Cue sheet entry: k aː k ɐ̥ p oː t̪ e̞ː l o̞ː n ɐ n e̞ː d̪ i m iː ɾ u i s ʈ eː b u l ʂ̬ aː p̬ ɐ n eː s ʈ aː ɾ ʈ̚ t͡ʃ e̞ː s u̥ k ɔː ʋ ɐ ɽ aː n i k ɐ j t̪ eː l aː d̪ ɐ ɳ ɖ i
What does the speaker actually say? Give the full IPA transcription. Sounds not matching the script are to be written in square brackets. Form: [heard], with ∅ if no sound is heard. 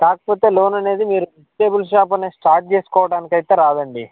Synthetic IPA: k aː k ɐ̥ p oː t̪ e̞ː l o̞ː n ɐ n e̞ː d̪ i m iː ɾ u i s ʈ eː b u l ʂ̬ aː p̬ ɐ n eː s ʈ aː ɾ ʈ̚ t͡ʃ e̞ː s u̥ k ɔː ʋ ɐ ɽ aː n i k ɐ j t̪ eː [ɾ] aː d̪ ɐ ɳ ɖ i